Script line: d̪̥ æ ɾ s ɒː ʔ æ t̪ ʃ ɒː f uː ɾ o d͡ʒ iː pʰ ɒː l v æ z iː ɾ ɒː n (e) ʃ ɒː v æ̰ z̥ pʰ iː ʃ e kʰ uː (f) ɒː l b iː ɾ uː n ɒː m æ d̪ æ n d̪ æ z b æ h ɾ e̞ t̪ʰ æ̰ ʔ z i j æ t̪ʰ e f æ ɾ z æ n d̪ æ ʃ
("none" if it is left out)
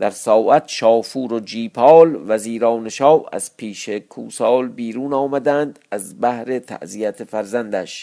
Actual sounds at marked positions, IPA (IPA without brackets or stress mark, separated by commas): e, s